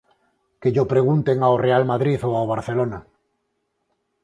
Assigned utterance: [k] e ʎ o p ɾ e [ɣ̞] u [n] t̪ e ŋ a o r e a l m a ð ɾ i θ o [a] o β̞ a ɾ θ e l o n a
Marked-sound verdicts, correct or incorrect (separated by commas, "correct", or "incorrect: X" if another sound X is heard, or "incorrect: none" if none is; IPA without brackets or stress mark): correct, correct, correct, correct